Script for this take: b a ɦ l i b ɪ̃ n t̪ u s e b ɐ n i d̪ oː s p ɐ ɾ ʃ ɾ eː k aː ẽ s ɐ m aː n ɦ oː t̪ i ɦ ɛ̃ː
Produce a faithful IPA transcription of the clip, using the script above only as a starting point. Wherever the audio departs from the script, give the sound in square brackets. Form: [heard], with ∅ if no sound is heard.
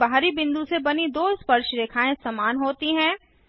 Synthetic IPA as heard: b a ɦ [ɾ] i b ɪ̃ n [d̪] u s e b ɐ n i d̪ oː s p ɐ ɾ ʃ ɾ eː [kʰ] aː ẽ s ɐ m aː n ɦ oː t̪ i ɦ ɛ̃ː